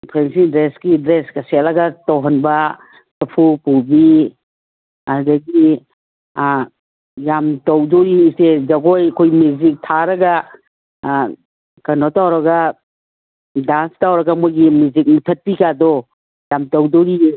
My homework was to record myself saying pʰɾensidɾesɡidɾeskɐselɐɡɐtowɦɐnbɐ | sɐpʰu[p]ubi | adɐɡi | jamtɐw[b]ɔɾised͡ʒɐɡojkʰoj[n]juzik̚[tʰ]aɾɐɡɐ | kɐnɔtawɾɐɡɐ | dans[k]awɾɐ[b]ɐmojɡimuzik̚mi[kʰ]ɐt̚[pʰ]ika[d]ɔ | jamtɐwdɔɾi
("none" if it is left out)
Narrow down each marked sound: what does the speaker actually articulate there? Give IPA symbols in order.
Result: p, d, m, tʰ, t, ɡ, tʰ, p, d

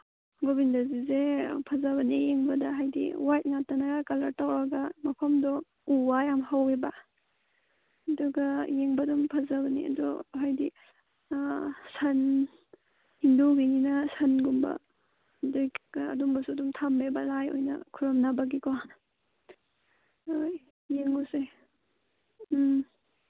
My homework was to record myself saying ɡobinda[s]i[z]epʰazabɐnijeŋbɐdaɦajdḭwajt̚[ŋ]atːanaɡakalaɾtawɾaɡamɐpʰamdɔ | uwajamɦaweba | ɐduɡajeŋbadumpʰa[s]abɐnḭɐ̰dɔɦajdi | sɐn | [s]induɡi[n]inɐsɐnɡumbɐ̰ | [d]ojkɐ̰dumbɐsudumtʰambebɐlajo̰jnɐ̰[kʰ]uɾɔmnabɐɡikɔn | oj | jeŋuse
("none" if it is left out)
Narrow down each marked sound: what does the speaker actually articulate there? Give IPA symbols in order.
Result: z, z, ŋ, z, h, n, d, kʰ

